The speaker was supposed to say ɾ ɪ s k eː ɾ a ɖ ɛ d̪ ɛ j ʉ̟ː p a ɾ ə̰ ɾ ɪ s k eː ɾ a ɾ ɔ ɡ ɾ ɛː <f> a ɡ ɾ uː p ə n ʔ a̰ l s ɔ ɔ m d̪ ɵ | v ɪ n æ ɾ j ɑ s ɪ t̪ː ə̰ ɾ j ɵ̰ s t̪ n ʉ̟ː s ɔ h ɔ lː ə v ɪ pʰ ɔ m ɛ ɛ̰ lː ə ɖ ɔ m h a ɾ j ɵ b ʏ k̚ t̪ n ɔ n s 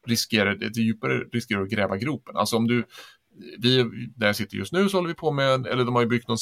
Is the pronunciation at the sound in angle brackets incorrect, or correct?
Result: incorrect